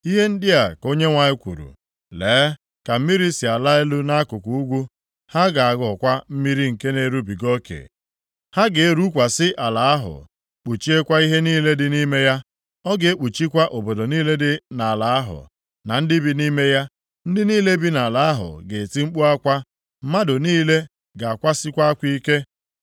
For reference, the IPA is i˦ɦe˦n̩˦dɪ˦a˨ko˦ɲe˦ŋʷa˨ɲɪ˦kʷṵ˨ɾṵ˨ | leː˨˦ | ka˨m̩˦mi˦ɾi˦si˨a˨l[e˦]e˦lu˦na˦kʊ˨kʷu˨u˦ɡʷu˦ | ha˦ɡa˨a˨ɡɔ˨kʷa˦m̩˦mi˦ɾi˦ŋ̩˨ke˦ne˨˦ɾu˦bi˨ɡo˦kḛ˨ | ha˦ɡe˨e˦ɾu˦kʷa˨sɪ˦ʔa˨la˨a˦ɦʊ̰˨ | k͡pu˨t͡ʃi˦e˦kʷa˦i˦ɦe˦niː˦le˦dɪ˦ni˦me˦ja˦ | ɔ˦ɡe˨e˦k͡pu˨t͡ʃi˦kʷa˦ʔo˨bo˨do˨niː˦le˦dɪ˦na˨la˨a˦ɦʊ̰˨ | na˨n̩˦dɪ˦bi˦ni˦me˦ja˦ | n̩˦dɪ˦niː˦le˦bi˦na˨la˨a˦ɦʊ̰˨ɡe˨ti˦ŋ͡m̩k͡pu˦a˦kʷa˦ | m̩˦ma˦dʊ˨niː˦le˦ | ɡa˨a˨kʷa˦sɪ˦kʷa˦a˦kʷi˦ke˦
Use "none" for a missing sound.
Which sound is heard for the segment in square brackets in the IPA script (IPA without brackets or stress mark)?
a˦